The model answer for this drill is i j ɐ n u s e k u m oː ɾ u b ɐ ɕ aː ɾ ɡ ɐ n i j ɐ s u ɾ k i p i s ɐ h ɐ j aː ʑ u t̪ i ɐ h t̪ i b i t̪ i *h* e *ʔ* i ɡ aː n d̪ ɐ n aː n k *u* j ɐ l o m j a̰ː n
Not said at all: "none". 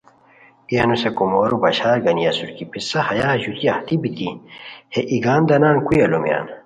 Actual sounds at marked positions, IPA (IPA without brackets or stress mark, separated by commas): h, ʔ, u